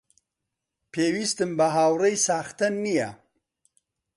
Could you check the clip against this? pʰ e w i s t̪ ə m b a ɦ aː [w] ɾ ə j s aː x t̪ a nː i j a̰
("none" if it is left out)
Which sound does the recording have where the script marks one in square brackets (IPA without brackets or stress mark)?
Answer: w